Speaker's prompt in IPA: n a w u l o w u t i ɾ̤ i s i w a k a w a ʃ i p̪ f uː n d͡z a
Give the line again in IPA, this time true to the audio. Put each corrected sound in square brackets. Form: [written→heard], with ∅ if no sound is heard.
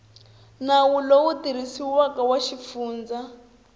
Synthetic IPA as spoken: n a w u l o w u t i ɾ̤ i s i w a k a w a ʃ i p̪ f uː n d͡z a